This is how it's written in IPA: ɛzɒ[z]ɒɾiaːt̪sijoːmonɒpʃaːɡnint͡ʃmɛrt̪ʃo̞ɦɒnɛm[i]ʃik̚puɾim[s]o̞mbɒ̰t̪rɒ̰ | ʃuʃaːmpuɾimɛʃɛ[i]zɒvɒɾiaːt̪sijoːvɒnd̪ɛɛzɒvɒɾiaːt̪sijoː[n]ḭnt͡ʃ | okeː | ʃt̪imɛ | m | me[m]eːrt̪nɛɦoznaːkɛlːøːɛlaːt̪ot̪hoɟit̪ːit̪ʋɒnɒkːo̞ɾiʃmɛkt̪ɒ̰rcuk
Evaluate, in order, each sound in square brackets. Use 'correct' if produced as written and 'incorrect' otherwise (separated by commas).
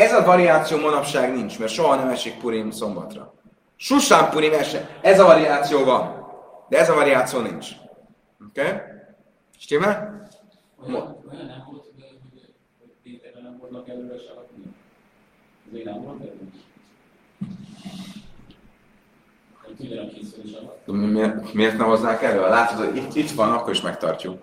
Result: incorrect, incorrect, correct, incorrect, correct, correct